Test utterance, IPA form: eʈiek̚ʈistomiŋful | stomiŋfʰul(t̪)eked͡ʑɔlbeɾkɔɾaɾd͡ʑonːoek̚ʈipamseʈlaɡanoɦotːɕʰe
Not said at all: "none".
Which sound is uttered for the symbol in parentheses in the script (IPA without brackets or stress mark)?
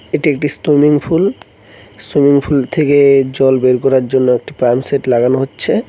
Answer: t̪ʰ